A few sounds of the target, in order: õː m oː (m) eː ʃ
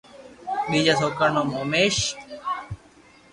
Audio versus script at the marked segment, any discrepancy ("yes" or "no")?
no